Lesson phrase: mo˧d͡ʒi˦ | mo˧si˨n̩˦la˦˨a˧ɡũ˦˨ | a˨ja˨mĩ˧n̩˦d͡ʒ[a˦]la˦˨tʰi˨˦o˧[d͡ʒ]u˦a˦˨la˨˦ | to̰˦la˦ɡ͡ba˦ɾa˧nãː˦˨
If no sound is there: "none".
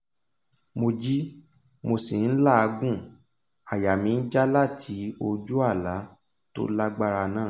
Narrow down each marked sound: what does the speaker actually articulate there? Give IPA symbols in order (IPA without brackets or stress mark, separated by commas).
a˦, d͡ʒ